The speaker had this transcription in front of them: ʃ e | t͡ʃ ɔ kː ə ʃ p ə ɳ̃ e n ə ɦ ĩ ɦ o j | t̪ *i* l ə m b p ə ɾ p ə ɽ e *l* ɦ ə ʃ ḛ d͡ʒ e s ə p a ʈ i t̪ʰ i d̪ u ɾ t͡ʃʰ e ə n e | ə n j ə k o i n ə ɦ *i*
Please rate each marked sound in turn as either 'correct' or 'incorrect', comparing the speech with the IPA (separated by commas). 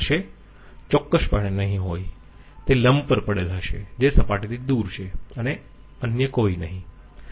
incorrect, correct, incorrect